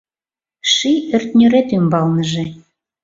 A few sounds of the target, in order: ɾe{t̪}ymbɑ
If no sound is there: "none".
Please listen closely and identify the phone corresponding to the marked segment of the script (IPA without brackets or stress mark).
t̪